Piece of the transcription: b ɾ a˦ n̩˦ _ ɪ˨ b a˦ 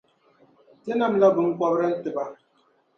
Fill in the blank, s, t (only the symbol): t